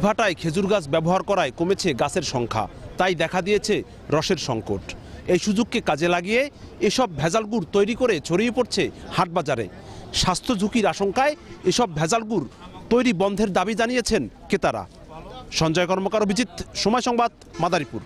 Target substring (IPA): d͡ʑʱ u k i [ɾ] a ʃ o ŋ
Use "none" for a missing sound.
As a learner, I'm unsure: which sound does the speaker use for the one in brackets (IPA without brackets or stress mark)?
ɾ